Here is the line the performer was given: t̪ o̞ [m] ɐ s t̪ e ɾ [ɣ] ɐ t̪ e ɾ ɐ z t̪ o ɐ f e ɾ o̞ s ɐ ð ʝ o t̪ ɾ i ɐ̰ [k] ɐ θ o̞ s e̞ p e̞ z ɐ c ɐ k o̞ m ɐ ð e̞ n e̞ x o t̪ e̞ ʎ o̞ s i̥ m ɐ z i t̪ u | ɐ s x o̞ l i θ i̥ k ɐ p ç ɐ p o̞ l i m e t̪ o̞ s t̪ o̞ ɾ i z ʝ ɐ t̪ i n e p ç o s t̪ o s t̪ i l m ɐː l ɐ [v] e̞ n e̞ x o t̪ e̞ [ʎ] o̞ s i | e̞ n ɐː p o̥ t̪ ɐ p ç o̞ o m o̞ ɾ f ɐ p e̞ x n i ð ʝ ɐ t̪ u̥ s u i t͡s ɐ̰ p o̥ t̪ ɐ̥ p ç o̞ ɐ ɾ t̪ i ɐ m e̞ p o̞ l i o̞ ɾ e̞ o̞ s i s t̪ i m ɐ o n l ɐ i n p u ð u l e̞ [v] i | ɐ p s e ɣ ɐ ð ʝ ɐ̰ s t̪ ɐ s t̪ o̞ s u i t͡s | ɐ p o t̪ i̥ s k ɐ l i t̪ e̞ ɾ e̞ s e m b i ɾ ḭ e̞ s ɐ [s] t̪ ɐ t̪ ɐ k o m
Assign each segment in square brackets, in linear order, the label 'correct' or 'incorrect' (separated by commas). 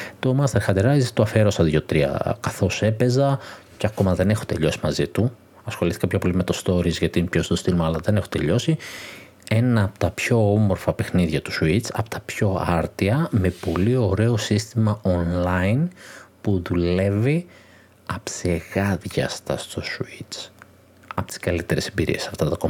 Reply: correct, incorrect, correct, incorrect, correct, correct, incorrect